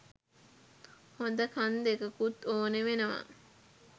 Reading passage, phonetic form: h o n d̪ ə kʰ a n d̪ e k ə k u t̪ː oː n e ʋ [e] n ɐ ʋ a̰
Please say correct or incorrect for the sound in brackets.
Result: correct